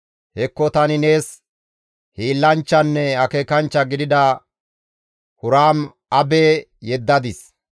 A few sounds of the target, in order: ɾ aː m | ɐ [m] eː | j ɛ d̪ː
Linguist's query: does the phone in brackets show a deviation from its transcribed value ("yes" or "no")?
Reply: yes